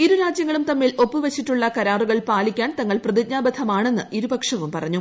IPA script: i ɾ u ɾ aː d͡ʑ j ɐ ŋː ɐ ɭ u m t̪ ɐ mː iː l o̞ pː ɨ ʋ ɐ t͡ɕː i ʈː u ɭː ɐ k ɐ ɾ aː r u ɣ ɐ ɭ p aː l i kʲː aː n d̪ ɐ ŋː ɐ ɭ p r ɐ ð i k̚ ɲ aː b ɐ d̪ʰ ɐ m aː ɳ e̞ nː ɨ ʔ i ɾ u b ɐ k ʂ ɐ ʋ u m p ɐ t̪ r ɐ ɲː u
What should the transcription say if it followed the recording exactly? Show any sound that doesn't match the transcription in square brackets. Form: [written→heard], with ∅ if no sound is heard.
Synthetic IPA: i ɾ u ɾ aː d͡ʑ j ɐ ŋː ɐ ɭ u m t̪ ɐ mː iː l o̞ pː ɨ ʋ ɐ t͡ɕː i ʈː u ɭː ɐ k ɐ ɾ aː r u ɣ ɐ ɭ p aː l i kʲː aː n [d̪→t̪] ɐ ŋː ɐ ɭ p r ɐ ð i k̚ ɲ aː b ɐ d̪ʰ ɐ m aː ɳ e̞ nː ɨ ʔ i ɾ u b ɐ k ʂ ɐ ʋ u m p ɐ [t̪→∅] r ɐ ɲː u

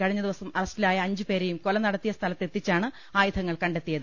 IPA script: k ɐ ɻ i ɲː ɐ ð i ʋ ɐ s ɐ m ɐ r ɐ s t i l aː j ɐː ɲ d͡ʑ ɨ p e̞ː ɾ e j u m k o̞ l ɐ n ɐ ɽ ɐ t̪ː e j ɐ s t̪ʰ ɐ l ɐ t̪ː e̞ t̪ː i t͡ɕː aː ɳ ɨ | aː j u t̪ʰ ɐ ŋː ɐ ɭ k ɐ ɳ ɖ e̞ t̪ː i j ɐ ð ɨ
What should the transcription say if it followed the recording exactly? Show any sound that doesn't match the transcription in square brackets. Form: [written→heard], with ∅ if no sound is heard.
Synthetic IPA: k ɐ ɻ i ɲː ɐ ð i ʋ ɐ s ɐ m ɐ r ɐ s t i l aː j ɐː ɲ d͡ʑ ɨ p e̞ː ɾ e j u m k o̞ l ɐ n ɐ ɽ ɐ t̪ː [e→i] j ɐ s t̪ʰ ɐ l ɐ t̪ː e̞ t̪ː i t͡ɕː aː ɳ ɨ | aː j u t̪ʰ ɐ ŋː ɐ ɭ k ɐ ɳ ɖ e̞ t̪ː i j ɐ ð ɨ

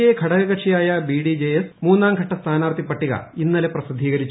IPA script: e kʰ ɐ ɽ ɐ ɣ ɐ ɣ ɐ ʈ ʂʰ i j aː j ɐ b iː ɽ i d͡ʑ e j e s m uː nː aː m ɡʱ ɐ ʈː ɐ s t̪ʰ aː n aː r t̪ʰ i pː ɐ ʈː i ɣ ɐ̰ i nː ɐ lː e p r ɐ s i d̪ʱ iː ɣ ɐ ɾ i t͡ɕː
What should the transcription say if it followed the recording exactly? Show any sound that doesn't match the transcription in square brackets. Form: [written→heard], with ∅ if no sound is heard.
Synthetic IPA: e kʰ ɐ ɽ ɐ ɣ ɐ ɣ ɐ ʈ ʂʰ i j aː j ɐ b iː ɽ i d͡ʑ e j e s m uː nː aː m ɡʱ ɐ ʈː ɐ s t̪ʰ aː n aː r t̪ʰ i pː ɐ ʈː i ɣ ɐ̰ i nː ɐ [lː→l] e p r ɐ s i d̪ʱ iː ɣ ɐ ɾ i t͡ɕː

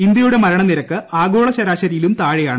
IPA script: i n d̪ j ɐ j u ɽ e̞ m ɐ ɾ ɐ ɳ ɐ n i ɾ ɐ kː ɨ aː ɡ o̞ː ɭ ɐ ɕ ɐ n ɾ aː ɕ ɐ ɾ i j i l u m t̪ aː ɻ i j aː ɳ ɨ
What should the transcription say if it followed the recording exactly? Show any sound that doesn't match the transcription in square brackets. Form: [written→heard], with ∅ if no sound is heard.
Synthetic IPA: i n d̪ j ɐ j u ɽ e̞ m ɐ ɾ ɐ ɳ ɐ n i ɾ ɐ kː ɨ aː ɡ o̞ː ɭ ɐ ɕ ɐ [n→∅] ɾ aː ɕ ɐ ɾ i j i l u m t̪ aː ɻ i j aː ɳ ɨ

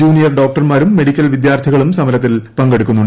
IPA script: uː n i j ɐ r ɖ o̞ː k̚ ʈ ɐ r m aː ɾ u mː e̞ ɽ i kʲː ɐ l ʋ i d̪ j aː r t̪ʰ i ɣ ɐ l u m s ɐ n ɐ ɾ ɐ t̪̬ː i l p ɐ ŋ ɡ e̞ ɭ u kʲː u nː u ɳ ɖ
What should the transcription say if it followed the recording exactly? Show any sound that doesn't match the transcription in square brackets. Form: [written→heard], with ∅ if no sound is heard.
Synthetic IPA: uː n i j ɐ r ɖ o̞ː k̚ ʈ ɐ r m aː ɾ u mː e̞ ɽ i kʲː ɐ l ʋ i d̪ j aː r t̪ʰ i ɣ ɐ [l→ɭ] u m s ɐ [n→m] ɐ ɾ ɐ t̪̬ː i l p ɐ ŋ ɡ e̞ [ɭ→ɽ] u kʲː u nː u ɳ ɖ

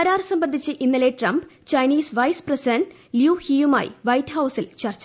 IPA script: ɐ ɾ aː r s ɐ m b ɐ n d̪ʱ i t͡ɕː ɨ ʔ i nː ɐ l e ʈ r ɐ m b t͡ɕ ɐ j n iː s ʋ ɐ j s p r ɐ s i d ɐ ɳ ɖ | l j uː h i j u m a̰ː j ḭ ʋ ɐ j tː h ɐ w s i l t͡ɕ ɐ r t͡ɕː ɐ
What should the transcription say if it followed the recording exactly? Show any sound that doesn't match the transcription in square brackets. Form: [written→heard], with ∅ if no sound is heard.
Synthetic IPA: ɐ ɾ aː r s ɐ m b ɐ n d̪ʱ i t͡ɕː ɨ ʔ i nː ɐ l e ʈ r ɐ m b t͡ɕ ɐ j n iː s ʋ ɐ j s p r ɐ s i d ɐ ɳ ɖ | l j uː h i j u m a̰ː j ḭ ʋ ɐ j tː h ɐ w s i l t͡ɕ ɐ r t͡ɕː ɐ

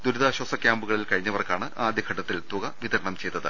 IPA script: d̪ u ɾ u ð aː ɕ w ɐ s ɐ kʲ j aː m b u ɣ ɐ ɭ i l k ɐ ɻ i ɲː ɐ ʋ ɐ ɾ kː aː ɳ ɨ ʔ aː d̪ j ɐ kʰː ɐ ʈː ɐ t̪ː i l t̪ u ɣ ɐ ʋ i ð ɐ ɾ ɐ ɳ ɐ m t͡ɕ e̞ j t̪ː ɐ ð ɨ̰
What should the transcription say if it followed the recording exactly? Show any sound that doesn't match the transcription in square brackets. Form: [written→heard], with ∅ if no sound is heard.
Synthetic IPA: d̪ u ɾ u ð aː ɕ w ɐ s ɐ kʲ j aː m b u ɣ ɐ ɭ i l k ɐ ɻ i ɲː ɐ ʋ ɐ [ɾ→r] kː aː ɳ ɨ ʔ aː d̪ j ɐ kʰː ɐ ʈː ɐ t̪ː i l t̪ u ɣ ɐ ʋ i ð ɐ ɾ ɐ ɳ ɐ m t͡ɕ e̞ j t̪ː ɐ ð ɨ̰

